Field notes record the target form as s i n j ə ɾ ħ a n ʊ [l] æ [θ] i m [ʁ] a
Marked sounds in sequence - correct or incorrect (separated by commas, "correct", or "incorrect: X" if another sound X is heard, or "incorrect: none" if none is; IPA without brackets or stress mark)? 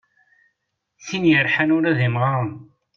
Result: incorrect: ɾ, incorrect: ð, correct